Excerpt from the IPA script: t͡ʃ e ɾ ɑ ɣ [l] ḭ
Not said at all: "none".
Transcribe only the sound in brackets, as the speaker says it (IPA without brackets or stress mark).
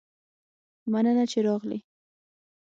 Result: l